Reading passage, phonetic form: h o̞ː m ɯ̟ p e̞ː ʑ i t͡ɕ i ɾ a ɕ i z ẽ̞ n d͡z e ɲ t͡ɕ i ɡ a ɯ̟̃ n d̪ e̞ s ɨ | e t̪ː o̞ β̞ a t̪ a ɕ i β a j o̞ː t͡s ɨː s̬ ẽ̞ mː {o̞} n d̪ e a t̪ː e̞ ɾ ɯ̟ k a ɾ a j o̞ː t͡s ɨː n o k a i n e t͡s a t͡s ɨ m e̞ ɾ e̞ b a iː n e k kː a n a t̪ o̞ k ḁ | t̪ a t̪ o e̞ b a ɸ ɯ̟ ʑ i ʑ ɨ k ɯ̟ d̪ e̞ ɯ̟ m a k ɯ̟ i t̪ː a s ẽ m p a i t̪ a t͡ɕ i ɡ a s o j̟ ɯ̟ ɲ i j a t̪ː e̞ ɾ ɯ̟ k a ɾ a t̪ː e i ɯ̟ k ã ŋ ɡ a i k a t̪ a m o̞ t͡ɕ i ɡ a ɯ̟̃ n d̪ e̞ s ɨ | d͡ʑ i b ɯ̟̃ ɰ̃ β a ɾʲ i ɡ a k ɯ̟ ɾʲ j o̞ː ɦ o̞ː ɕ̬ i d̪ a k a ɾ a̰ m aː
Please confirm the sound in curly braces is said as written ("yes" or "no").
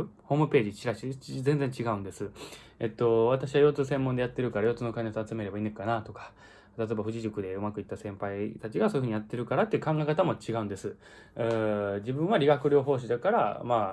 no